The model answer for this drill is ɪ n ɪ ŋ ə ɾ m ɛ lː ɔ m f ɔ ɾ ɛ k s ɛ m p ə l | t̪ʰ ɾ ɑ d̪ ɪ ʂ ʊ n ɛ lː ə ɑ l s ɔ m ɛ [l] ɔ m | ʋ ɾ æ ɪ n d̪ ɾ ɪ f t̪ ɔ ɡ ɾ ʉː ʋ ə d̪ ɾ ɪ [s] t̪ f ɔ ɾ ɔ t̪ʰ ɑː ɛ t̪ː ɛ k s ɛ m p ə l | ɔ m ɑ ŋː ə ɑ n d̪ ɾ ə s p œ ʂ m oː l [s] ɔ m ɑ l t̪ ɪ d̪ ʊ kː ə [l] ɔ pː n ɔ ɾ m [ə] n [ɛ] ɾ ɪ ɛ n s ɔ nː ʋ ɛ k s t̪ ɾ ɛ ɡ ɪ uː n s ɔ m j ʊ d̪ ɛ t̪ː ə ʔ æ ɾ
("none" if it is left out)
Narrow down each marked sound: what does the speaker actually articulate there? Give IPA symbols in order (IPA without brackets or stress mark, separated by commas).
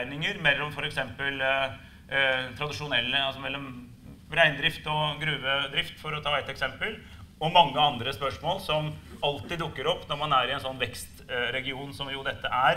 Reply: lː, f, s, ɾ, ɑ, æ